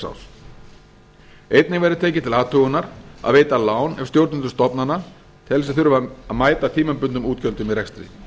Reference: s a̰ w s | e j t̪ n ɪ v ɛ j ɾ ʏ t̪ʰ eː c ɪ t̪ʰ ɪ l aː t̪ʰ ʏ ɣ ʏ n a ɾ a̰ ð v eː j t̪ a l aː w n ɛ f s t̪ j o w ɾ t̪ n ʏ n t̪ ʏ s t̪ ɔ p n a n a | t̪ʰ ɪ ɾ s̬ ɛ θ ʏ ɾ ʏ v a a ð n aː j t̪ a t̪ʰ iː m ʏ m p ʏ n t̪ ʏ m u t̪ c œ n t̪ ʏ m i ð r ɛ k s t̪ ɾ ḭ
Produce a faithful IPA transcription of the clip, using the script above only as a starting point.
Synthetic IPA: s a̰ w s | e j t̪ n ɪ v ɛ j ɾ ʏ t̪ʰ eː c ɪ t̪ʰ ɪ l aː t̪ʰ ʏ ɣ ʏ n a ɾ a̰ ð v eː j t̪ a l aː w n ɛ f s t̪ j o w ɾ t̪ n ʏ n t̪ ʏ s t̪ ɔ p n a n a | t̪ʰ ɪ l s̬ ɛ θ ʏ ɾ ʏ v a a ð m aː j t̪ a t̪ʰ iː m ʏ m p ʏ n t̪ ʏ m uː t̪ c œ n t̪ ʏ m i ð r ɛ k s t̪ ɾ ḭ